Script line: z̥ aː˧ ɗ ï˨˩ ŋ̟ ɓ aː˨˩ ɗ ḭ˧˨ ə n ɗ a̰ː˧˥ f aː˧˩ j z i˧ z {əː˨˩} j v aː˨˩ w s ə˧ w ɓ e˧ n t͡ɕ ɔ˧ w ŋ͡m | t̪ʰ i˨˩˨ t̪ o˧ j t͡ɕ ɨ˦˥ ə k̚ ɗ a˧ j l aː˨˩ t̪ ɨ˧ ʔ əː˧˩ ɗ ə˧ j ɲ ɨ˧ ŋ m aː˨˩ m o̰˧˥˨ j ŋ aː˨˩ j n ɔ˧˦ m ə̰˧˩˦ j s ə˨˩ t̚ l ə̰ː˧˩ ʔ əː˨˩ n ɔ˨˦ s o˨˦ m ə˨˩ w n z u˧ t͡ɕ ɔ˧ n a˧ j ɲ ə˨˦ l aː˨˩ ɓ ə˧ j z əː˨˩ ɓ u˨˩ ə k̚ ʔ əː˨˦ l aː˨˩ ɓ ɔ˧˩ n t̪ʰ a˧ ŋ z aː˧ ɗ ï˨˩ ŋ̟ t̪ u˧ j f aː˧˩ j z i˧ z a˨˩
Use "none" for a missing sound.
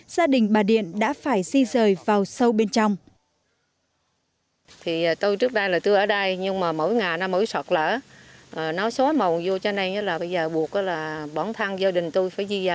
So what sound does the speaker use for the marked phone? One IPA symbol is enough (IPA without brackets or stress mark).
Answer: əː˨˩